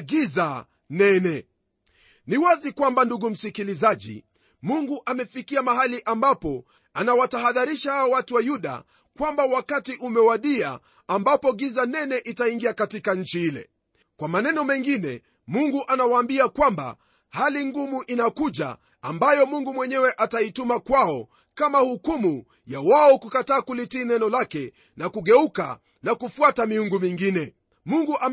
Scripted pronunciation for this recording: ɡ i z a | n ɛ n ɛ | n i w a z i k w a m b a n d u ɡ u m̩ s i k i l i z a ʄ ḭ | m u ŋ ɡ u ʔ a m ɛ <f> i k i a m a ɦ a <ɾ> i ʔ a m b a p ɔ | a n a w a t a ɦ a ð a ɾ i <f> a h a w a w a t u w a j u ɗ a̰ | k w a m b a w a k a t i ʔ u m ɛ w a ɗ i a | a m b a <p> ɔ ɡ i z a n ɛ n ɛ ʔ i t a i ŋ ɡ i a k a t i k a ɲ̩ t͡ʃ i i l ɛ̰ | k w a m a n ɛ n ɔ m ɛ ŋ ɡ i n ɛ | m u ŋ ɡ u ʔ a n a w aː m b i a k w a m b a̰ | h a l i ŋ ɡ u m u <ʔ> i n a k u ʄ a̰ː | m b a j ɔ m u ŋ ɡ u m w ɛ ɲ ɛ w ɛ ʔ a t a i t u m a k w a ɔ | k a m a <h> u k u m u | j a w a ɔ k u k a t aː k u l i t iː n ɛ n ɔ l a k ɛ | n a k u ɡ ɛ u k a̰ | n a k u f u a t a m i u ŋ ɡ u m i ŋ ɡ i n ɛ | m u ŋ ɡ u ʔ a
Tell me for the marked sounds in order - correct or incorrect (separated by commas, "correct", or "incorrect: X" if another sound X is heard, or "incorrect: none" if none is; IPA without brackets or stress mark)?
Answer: correct, incorrect: l, incorrect: ʃ, correct, correct, correct